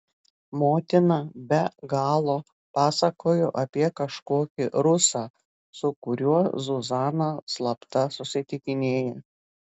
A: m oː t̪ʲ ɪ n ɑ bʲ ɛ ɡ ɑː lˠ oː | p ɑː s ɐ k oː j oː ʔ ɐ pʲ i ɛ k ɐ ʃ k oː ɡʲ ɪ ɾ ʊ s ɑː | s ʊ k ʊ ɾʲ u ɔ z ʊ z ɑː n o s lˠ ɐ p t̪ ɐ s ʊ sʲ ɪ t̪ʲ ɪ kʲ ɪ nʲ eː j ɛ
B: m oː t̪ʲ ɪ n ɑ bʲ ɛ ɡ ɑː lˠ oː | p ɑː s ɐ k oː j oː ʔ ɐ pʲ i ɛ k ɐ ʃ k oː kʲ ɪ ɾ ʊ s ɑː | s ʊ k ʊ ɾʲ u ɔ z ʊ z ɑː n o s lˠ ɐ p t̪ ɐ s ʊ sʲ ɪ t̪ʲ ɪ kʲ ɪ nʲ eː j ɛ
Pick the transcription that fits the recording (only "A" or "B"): B